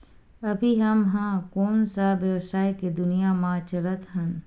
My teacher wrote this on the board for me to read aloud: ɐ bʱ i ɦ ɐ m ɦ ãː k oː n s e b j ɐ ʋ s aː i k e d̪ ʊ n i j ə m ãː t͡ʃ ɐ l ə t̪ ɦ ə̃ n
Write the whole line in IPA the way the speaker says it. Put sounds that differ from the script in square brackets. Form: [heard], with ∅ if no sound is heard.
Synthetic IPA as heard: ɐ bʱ i ɦ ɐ m ɦ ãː k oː n s [a] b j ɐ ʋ s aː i k e d̪ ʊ n i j [a] m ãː t͡ʃ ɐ l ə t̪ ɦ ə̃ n